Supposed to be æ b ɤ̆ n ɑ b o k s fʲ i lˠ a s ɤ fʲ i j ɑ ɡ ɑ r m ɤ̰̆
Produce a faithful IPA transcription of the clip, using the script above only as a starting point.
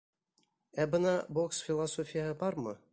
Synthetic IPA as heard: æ b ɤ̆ n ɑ b o k s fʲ i lˠ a s o fʲ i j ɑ b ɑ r m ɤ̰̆